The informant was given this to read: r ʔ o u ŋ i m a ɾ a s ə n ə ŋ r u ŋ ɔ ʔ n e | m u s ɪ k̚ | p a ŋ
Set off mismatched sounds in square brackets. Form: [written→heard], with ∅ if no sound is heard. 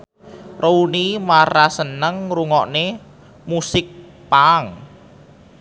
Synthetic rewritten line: r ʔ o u [ŋ→n] i m a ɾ a s ə n ə ŋ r u ŋ ɔ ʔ n e | m u s ɪ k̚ | p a ŋ